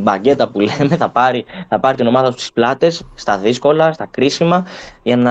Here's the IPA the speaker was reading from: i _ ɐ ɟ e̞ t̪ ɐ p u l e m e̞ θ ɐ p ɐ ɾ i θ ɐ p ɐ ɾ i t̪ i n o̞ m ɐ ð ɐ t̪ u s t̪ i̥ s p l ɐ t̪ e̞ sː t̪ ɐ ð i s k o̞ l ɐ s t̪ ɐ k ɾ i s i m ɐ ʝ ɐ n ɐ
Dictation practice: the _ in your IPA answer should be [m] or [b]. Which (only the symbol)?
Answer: b